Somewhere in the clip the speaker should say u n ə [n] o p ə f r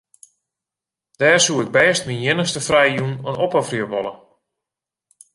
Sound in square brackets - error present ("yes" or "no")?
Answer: no